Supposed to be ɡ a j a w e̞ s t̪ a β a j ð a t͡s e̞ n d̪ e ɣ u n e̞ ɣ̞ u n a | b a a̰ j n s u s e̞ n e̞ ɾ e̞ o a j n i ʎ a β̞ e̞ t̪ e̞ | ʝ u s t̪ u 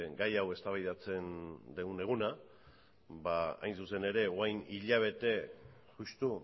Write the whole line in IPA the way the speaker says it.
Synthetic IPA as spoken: ɡ a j a w e̞ s t̪ a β a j ð a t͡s e̞ n d̪ e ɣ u n e̞ ɣ̞ u n a | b a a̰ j n s u s e̞ n e̞ ɾ e̞ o a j n i ʎ a β̞ e̞ t̪ e̞ | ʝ u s t̪ u